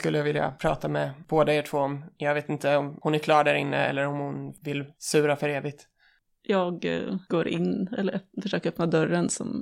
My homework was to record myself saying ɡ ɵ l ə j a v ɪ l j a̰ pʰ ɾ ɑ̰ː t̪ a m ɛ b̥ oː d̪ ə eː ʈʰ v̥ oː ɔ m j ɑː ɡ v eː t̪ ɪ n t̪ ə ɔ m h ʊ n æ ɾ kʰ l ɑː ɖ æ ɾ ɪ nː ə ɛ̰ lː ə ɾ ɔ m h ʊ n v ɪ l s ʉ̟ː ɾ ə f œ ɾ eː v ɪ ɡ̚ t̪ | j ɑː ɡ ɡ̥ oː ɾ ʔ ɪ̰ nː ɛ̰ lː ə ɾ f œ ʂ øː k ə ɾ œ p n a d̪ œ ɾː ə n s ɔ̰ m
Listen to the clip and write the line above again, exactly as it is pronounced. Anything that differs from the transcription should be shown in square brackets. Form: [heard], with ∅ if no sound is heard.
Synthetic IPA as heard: [k] ɵ [lː] ə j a v ɪ l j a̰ pʰ ɾ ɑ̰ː t̪ a m ɛ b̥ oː d̪ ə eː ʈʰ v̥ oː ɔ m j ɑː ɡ v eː t̪ ɪ n t̪ ə ɔ m h ʊ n æ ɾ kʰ l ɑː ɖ æ ɾ ɪ nː ə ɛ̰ lː ə ɾ ɔ m h ʊ n v ɪ l s ʉ̟ː ɾ [a] f œ ɾ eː v ɪ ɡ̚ t̪ | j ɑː ɡ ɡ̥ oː ɾ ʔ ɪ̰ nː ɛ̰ lː ə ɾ f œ ʂ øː k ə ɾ œ p n a d̪ œ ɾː ə n s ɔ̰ m